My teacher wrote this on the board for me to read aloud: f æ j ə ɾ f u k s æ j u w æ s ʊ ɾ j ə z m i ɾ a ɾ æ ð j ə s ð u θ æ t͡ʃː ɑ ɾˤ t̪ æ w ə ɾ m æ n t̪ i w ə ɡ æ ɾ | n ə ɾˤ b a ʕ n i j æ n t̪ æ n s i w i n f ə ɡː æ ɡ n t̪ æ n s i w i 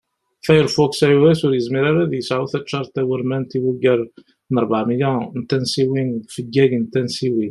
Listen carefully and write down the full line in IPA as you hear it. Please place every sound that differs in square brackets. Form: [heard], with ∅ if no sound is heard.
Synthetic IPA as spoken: f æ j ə ɾ f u k s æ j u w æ s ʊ ɾ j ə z m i ɾ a ɾ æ ð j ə s [ʕ] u θ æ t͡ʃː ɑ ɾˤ t̪ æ w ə ɾ m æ n t̪ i w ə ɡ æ ɾ | n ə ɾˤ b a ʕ [m] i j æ n t̪ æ n s i w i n f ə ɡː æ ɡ n t̪ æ n s i w i